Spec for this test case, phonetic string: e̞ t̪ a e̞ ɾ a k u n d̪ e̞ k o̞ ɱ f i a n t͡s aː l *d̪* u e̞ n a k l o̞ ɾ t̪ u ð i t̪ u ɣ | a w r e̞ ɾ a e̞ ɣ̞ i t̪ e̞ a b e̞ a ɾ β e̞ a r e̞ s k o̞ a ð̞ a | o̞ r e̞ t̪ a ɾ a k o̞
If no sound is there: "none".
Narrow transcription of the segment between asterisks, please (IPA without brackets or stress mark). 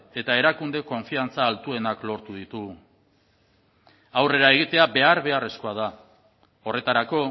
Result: t̪